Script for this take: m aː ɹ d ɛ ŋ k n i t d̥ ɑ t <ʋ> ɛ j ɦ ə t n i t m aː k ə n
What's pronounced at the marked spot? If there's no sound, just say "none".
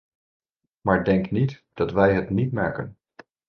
ʋ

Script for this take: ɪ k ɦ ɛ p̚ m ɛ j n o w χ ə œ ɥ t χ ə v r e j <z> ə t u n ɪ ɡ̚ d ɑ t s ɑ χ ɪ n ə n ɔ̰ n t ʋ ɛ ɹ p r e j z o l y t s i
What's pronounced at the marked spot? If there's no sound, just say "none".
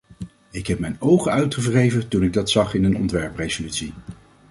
v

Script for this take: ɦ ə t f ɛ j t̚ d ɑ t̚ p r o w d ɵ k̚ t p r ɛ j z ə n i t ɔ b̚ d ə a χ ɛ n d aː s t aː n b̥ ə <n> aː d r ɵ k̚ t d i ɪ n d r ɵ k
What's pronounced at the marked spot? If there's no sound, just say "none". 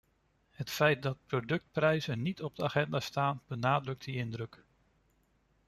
n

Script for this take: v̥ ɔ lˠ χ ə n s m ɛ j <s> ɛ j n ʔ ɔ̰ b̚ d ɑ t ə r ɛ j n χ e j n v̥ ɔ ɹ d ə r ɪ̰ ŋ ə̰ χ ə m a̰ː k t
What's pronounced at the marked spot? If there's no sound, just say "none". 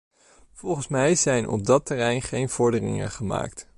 z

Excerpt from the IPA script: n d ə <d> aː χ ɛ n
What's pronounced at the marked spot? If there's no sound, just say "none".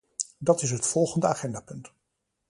none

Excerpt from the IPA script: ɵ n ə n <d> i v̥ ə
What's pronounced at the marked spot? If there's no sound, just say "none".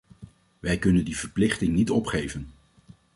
d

